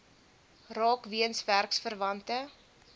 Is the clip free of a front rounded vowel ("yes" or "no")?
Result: yes